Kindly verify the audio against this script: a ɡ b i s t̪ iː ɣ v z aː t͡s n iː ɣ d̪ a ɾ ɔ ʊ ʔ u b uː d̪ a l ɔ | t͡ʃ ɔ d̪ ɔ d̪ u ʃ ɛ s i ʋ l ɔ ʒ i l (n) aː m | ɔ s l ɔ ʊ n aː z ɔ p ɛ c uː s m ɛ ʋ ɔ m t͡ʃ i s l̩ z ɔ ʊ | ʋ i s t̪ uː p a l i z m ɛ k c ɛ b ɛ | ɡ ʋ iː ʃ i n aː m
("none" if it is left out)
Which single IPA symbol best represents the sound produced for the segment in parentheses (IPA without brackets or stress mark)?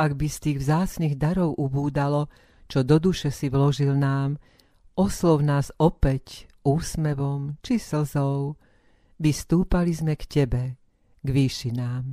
n